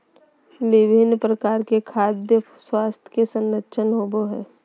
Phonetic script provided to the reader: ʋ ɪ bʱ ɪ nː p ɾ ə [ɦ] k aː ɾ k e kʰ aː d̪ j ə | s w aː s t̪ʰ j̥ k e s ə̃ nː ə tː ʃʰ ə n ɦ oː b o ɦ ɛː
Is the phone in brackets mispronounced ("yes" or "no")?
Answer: yes